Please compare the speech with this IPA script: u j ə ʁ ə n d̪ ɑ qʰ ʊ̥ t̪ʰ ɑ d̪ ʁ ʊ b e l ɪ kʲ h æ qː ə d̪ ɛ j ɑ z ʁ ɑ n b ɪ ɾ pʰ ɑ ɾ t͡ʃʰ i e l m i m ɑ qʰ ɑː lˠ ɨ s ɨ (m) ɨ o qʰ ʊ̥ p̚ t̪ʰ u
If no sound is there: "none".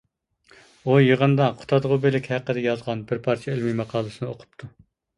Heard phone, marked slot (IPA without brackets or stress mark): n